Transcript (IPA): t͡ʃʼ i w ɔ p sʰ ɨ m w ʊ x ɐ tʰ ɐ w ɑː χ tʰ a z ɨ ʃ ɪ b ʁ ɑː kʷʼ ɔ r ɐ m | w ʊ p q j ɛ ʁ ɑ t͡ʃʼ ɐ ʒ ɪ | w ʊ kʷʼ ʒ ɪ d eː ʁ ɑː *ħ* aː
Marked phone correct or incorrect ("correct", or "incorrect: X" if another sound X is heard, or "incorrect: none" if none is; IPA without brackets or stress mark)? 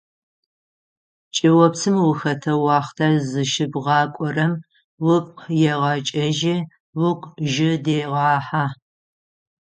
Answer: correct